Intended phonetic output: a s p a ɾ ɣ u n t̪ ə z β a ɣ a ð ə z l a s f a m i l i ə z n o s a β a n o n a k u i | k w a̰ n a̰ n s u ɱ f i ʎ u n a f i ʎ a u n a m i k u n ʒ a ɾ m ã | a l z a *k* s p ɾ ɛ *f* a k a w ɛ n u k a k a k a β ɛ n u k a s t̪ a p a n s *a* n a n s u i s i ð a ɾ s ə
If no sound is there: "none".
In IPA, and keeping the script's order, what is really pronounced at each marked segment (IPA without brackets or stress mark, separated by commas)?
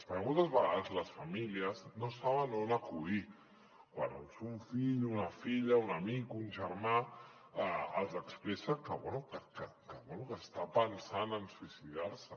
k, s, a